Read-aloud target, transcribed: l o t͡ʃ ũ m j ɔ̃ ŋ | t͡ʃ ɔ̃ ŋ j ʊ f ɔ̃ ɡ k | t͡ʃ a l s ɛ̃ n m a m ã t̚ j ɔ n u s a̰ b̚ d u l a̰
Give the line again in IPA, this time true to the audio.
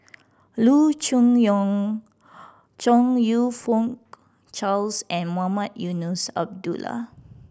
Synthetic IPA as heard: l u t͡ʃ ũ ŋ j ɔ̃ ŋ | t͡ʃ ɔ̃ ŋ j u f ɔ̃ ŋ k | t͡ʃ a l s ɛ̃ n m a m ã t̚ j u n u s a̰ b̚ d u l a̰

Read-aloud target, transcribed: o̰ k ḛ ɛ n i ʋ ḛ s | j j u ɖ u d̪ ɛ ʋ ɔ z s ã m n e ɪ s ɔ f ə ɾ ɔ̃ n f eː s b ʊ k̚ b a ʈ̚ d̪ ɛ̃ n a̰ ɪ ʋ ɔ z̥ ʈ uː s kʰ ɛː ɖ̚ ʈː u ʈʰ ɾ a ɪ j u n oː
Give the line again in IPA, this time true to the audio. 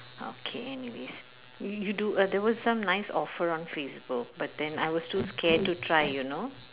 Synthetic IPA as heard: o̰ kʰ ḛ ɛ n i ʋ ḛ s | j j u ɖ u d̪ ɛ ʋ ɔ z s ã m n a ɪ s ɔ f ə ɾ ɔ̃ n f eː s b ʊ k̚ b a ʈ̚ d̪ ɛ̃ n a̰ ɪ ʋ ɔ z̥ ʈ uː s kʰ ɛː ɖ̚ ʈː u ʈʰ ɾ a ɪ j u n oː

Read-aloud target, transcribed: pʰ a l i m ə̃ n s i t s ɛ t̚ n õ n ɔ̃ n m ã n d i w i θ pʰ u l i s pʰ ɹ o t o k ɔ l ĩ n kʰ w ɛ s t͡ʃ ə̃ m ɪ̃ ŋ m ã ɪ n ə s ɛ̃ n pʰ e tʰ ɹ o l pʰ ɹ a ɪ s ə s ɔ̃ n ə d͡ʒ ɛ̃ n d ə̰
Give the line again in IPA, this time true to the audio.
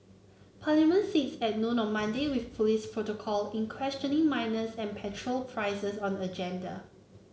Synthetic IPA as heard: pʰ a l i m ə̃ n s i t s ɛ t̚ n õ n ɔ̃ n m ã n d e w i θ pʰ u l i s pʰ ɹ o t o kʰ ɔ l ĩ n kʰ w ɛ s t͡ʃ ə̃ n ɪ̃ ŋ m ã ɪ n ə s ɛ̃ n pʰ ɛ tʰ ɹ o l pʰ ɹ a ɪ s ə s ɔ̃ n ə d͡ʒ ɛ̃ n d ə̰

